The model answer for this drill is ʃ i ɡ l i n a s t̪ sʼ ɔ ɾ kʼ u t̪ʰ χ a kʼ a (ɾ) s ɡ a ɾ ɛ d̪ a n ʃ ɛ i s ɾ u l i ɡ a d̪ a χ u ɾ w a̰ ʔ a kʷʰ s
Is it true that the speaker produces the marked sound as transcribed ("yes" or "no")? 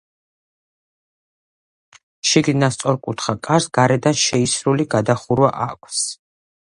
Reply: yes